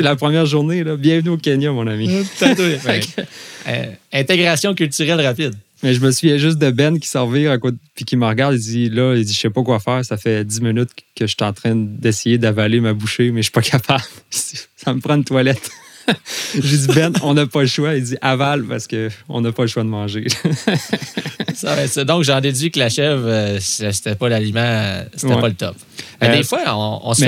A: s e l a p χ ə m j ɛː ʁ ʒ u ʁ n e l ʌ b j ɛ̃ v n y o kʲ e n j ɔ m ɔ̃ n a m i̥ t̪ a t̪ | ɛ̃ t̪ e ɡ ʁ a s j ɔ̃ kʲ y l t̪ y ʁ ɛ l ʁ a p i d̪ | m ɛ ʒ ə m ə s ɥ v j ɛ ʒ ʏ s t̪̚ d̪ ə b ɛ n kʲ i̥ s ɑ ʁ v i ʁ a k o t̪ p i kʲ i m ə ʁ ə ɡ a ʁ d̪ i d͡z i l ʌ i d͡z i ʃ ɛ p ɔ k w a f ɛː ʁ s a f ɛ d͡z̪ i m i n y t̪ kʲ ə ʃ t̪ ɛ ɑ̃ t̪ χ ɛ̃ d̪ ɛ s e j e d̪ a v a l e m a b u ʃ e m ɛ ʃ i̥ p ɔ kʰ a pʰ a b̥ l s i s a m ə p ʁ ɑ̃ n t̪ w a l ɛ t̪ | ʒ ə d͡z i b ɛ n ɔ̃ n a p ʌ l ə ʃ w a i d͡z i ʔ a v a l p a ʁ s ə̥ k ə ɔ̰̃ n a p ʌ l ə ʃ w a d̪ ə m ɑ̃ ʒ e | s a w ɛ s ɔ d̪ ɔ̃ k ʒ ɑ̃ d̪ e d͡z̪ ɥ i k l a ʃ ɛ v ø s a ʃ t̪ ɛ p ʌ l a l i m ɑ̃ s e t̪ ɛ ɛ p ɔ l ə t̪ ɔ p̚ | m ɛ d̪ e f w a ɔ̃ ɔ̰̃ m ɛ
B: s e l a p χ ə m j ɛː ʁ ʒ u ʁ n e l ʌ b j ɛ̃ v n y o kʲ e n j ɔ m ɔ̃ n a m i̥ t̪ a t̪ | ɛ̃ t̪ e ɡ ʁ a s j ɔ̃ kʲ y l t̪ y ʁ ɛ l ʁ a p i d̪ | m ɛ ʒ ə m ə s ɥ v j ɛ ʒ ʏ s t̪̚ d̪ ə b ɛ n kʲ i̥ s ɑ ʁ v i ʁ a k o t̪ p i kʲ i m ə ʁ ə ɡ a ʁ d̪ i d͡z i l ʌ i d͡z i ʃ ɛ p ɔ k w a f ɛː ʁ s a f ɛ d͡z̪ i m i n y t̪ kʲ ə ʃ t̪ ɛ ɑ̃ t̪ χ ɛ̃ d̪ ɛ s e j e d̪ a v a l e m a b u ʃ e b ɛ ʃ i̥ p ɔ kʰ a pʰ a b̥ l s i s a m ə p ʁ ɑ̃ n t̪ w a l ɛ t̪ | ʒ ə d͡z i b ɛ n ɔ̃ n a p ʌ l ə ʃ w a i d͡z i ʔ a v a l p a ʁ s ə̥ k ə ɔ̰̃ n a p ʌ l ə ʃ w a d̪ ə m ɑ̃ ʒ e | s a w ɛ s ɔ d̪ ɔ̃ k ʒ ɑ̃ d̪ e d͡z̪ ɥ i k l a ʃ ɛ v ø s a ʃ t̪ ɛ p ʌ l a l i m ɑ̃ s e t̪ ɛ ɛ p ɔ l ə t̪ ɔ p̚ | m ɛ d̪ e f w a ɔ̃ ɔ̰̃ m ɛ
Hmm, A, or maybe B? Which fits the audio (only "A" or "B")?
A